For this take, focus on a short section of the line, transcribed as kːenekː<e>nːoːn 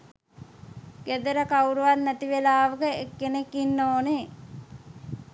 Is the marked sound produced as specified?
no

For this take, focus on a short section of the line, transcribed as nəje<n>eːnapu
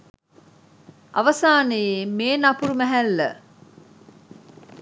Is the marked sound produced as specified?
no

